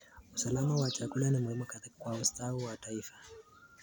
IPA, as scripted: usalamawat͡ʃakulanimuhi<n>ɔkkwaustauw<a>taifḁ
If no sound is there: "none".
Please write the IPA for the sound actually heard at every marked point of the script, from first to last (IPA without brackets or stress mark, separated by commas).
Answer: m, a